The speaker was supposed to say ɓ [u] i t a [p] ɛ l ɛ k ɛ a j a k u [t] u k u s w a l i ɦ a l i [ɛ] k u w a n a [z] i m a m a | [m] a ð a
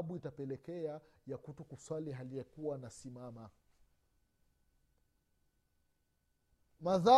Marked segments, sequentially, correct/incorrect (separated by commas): correct, correct, correct, correct, incorrect, correct